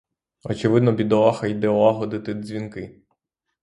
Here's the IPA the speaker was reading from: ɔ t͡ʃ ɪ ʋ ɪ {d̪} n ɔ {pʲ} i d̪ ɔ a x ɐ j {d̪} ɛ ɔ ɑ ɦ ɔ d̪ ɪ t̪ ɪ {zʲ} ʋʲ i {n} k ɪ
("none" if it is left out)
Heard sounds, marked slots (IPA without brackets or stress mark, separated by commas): d̪, bʲ, d̪, zʲ, n